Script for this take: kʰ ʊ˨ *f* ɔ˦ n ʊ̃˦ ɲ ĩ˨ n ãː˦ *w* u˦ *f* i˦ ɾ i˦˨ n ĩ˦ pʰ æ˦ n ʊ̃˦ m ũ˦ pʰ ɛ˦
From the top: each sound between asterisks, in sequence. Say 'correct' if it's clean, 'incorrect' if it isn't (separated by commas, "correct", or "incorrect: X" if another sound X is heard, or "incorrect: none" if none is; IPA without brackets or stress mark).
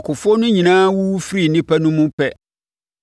correct, correct, correct